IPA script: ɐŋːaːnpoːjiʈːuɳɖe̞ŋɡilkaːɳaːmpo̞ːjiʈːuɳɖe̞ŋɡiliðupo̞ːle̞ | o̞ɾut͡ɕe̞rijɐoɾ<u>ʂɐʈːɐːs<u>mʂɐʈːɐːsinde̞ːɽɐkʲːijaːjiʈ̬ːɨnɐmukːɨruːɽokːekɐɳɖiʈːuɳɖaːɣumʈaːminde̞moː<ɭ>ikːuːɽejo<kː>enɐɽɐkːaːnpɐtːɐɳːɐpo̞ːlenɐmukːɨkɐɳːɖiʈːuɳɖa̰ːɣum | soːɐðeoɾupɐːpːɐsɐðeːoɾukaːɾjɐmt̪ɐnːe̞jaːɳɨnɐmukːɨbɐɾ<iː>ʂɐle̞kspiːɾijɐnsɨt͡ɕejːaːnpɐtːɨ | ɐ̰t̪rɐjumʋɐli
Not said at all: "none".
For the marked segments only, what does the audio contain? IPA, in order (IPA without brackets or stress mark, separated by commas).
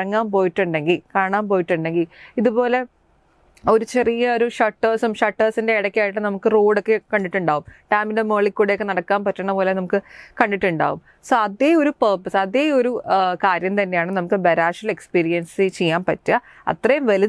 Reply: u, u, ɭ, kː, aː